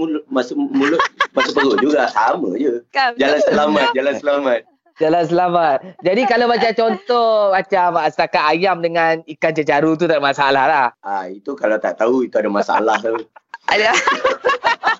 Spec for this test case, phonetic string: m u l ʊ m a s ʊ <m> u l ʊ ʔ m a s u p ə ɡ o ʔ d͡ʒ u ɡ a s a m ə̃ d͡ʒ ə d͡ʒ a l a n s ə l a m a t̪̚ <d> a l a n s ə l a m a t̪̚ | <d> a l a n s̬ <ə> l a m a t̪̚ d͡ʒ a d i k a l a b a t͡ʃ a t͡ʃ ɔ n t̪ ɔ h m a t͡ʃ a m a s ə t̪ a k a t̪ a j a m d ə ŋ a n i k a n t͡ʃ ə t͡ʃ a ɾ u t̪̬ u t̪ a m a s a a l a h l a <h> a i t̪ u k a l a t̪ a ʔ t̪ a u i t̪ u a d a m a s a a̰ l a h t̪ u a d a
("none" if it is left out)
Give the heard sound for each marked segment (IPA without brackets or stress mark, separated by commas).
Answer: m, d͡ʒ, d͡ʒ, ə, h